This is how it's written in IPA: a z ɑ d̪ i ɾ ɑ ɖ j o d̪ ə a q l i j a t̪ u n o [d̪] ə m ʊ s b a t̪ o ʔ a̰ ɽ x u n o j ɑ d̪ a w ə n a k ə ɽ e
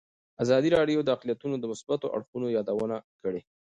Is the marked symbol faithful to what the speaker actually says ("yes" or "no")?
yes